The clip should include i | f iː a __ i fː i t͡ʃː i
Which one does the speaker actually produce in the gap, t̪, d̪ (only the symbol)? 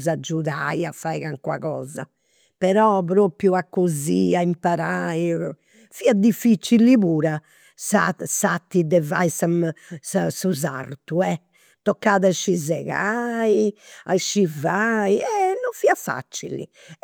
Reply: d̪